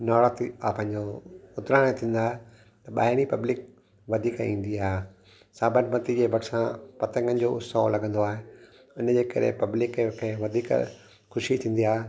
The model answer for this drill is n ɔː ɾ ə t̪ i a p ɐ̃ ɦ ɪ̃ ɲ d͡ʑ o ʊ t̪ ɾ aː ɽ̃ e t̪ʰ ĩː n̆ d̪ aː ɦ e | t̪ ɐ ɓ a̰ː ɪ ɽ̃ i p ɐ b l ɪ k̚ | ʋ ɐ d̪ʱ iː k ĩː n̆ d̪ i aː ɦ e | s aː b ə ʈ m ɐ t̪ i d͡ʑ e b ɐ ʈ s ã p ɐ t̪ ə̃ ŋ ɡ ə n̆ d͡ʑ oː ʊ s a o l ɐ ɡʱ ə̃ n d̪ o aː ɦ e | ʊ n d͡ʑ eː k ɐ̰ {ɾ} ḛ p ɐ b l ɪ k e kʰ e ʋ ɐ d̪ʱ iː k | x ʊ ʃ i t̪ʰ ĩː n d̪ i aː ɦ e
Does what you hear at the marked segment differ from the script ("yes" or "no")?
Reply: no